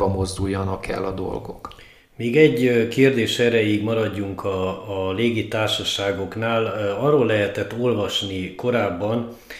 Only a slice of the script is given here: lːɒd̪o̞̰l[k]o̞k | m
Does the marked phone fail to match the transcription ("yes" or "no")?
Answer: yes